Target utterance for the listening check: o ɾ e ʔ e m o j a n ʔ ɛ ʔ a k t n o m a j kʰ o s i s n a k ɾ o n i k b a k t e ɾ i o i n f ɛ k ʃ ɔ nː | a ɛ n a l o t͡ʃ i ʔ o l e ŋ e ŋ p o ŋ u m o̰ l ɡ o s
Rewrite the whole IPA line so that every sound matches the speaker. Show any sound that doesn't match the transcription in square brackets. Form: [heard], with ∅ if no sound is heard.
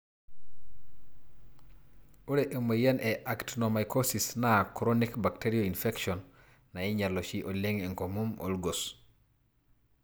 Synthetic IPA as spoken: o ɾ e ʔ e m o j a n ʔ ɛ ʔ a k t n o m a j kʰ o s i s n a k ɾ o n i k b a k t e ɾ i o i n f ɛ k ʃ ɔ nː | a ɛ [ɲ] a l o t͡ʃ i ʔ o l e ŋ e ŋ [k] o [m] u m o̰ l ɡ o s